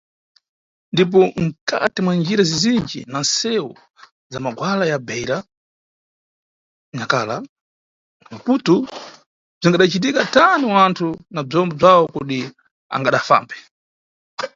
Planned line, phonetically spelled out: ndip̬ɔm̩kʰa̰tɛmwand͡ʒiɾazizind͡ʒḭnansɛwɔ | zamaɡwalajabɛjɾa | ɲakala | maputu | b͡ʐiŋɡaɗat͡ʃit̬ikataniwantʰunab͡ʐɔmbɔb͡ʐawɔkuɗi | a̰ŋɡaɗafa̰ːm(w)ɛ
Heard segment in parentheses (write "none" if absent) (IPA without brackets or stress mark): b